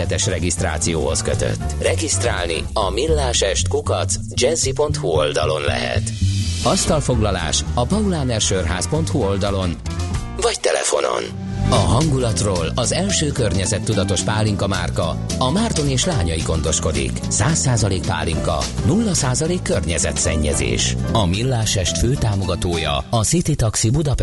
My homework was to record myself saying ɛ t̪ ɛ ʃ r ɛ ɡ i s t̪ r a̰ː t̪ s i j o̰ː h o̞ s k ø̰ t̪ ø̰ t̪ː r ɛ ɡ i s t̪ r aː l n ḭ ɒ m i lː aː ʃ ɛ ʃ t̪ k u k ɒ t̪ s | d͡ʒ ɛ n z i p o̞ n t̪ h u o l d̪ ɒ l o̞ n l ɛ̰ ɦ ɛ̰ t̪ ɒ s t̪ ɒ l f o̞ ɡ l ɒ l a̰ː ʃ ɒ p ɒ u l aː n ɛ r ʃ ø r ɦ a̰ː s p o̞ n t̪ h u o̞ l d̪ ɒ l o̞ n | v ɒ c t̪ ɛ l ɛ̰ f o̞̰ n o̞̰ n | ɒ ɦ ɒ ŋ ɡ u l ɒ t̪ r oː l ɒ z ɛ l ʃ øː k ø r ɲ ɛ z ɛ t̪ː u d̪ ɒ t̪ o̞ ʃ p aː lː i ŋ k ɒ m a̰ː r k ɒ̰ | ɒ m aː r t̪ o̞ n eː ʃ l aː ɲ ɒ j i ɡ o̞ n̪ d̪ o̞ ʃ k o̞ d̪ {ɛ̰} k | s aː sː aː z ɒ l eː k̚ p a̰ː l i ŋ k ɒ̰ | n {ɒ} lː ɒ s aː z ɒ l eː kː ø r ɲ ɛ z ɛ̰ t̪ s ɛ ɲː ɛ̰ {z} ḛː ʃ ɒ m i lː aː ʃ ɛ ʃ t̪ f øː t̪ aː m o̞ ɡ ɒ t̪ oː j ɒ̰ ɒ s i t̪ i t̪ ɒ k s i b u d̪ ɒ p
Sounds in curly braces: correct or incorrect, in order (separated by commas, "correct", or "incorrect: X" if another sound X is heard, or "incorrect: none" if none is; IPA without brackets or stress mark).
incorrect: ḭ, incorrect: u, correct